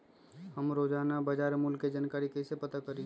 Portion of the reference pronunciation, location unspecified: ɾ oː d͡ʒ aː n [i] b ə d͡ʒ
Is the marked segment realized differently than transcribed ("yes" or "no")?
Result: yes